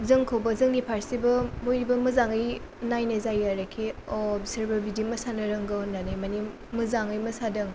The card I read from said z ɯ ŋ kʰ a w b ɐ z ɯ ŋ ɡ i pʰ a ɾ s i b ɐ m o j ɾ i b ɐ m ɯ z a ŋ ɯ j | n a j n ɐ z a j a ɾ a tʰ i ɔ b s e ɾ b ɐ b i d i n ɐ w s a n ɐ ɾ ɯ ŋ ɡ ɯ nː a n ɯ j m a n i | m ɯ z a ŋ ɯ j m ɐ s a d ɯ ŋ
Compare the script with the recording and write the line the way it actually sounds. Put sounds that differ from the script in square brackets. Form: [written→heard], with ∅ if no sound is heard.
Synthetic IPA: z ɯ ŋ kʰ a w b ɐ z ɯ ŋ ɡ i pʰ a ɾ s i b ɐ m o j ɾ i b ɐ m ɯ z a ŋ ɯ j | n a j n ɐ z a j a ɾ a [tʰ→kʰ] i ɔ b s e ɾ b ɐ b i d i [n→m] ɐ [w→∅] s a n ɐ ɾ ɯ ŋ ɡ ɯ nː a n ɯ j m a n i | m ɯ z a ŋ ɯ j m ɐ s a d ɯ ŋ